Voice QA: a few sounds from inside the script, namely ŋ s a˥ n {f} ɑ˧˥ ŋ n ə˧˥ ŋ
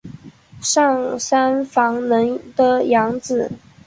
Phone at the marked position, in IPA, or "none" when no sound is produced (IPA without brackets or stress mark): f